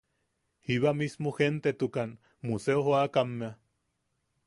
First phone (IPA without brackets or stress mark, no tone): h